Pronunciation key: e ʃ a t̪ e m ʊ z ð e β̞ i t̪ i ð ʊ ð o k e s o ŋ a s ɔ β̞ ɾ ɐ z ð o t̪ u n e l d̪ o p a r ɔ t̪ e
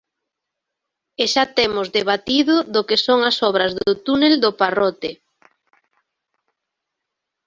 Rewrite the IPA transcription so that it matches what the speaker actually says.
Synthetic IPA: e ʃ a t̪ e m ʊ z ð e β̞ a t̪ i ð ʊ ð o k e s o ŋ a s ɔ β̞ ɾ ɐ z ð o t̪ u n e l d̪ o p a r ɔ t̪ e

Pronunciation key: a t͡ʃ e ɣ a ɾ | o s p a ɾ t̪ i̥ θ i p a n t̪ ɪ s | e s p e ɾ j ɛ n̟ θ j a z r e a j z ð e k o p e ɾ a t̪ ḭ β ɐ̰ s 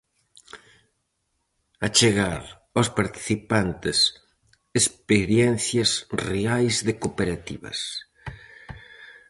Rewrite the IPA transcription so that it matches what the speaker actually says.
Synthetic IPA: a t͡ʃ e ɣ a ɾ | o s p a ɾ t̪ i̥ θ i p a n t̪ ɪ s | e s p e ɾ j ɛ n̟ θ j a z r e a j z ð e k o p e ɾ a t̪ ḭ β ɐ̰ s

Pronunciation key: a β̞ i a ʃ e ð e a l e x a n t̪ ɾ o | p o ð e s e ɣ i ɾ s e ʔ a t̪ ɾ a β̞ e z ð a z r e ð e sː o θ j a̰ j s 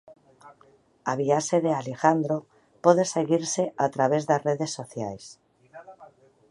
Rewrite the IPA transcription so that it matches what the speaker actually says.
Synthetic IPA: a β̞ i a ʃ e ð e a l e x a n d̪ ɾ o | p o ð e s e ɣ i ɾ s e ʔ a t̪ ɾ a β̞ e z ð a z r e ð e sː o θ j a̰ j s

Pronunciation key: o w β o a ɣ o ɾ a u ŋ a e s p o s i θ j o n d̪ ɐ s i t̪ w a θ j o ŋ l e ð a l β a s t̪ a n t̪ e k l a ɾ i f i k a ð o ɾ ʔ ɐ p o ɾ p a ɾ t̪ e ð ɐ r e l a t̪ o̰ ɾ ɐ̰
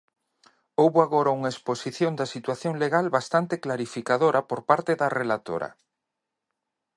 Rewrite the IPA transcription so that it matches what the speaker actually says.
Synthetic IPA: o w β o a ɣ o ɾ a u ŋ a e s p o s i θ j o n d̪ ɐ s i t̪ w a θ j o ŋ l e ɣ a l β a s t̪ a n t̪ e k l a ɾ i f i k a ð o ɾ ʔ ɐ p o ɾ p a ɾ t̪ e ð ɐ r e l a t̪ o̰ ɾ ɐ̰

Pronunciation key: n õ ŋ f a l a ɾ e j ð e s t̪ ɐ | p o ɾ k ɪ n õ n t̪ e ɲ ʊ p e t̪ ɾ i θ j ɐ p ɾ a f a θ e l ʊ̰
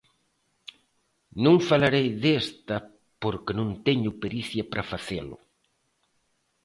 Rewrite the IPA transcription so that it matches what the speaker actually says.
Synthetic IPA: n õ ŋ f a l a ɾ e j ð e s t̪ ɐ | p o ɾ k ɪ n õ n t̪ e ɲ ʊ p e ɾ i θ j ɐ p ɾ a f a θ e l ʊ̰

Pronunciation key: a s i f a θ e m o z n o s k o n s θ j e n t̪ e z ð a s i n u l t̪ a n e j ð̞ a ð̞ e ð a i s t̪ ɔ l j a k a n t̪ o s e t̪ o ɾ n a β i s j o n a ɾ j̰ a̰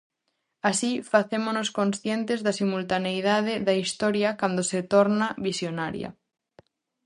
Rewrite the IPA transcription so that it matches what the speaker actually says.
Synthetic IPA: a s i f a θ e m o n o s k o n s θ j e n t̪ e z ð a s i m u l t̪ a n e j ð̞ a ð̞ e ð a i s t̪ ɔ ɾ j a k a n d̪ o s e t̪ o ɾ n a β i s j o n a ɾ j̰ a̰

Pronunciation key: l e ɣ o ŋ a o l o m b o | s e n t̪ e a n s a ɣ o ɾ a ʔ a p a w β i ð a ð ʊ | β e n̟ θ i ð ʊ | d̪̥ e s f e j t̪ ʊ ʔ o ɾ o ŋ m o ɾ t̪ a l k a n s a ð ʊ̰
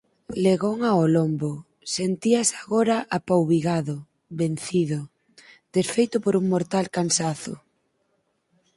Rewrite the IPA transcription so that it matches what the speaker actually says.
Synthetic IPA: l e ɣ o ŋ a o l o m b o | s e n t̪ i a s a ɣ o ɾ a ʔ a p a w β i ɣ a ð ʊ | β e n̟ θ i ð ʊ | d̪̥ e s f e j t̪ ʊ p o ɾ u ŋ m o ɾ t̪ a l k a n s a θ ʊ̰

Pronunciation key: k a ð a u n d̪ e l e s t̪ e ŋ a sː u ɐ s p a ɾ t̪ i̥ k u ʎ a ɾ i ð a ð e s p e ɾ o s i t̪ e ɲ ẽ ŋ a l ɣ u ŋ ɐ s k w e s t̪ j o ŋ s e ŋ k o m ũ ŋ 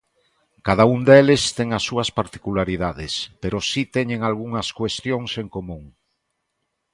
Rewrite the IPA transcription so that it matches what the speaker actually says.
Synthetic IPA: k a ð a u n d̪ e l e s t̪ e ŋ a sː u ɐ s p a ɾ t̪ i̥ k u l a ɾ i ð a ð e s p e ɾ o s i t̪ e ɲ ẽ ŋ a l ɣ u ŋ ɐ s k w e s t̪ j o ŋ s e ŋ k o m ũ ŋ

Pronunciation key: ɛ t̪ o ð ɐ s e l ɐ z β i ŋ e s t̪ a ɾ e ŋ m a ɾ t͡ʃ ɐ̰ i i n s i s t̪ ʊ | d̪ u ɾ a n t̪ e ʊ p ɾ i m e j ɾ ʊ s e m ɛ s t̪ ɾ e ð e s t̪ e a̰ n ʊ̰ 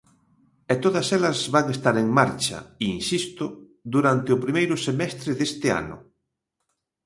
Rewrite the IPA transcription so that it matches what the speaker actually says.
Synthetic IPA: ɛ t̪ o ð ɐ s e l ɐ z β a ŋ e s t̪ a ɾ e ŋ m a ɾ t͡ʃ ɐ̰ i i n s i s t̪ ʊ | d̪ u ɾ a n t̪ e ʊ p ɾ i m e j ɾ ʊ s e m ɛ s t̪ ɾ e ð e s t̪ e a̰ n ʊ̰

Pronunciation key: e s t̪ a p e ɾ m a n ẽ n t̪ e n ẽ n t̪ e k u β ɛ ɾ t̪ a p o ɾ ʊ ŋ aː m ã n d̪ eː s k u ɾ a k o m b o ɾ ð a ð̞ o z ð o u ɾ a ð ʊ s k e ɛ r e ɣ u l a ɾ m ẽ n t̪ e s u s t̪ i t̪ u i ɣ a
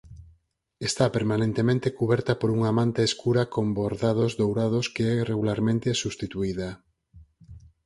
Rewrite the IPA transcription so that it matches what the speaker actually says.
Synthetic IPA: e s t̪ a p e ɾ m a n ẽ n t̪ e m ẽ n t̪ e k u β ɛ ɾ t̪ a p o ɾ u ŋ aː m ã n t̪ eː s k u ɾ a k o m b o ɾ ð a ð̞ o z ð o w ɾ a ð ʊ s k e ɛ r e ɣ u l a ɾ m ẽ n t̪ e s u s t̪ i t̪ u i ð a

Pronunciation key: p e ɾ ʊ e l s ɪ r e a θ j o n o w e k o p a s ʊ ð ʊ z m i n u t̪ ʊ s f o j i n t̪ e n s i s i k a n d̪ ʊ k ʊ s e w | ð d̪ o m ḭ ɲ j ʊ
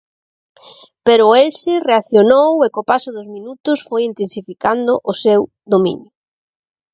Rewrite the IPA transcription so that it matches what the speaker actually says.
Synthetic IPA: p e ɾ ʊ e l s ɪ r e a θ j o n o w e k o p a s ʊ ð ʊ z m i n u t̪ ʊ s f o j i n t̪ e n s i f i k a n d̪ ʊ ʔ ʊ s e w | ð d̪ o m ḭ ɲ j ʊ

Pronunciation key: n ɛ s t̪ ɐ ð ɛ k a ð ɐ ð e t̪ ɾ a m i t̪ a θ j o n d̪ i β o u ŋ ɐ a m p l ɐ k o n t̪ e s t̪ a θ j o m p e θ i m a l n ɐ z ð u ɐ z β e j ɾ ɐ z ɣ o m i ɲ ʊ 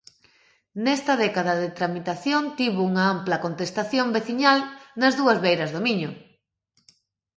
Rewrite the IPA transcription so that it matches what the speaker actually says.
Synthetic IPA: n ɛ s t̪ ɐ ð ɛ k a ð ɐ ð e t̪ ɾ a m i t̪ a θ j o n t̪ i β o u ŋ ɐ a m p l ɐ k o n t̪ e s t̪ a θ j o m b e θ i ɲ a l n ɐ z ð u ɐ z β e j ɾ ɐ z ð o m i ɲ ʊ

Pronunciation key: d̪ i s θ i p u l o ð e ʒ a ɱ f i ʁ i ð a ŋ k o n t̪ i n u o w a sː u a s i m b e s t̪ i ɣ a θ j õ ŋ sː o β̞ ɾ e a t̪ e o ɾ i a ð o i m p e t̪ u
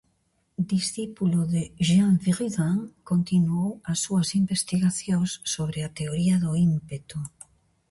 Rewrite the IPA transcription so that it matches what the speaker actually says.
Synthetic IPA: d̪ i s θ i p u l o ð e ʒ a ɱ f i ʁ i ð a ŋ k o n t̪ i n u o w a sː u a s i m b e s t̪ i ɣ a θ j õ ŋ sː o β̞ ɾ e a t̪ e o ɾ i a ð o i m p e t̪ u

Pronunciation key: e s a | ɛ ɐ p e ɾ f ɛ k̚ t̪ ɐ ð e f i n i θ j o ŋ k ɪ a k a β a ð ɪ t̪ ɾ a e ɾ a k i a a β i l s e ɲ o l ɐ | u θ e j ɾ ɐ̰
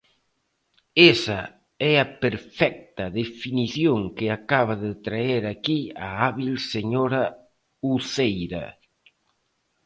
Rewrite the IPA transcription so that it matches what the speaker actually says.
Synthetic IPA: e s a | ɛ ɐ p e ɾ f ɛ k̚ t̪ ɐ ð e f i n i θ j o ŋ k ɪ a k a β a ð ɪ t̪ ɾ a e ɾ a k i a a β i l s e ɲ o ɾ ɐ | u θ e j ɾ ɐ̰

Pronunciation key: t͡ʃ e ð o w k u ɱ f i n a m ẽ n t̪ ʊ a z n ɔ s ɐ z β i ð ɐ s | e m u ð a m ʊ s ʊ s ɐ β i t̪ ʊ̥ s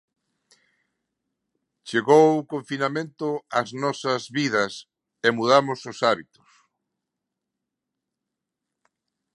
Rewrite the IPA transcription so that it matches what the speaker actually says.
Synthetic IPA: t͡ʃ e ɣ o w k o ɱ f i n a m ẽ n t̪ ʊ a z n ɔ s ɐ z β i ð ɐ s | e m u ð a m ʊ s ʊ s a β i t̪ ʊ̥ s

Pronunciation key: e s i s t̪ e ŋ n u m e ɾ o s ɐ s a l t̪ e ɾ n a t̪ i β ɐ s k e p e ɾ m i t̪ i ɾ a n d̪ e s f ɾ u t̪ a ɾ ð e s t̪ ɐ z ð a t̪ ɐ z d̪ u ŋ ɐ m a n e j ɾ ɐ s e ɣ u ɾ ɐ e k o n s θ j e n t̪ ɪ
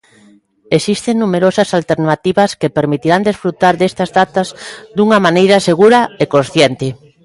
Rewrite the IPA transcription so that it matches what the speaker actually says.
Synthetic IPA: e s i s t̪ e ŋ n u m e ɾ o s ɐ s a l t̪ e ɾ n a t̪ i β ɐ s k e p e ɾ m i t̪ i ɾ a n d̪ e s f ɾ u t̪ a ɾ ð e s t̪ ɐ z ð a t̪ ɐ z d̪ u ŋ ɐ m a n e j ɾ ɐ s e ɣ u ɾ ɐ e k o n s θ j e n t̪ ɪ

